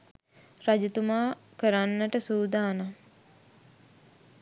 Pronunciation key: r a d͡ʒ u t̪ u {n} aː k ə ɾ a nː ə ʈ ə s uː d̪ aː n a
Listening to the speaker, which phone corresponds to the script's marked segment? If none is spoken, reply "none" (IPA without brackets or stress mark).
m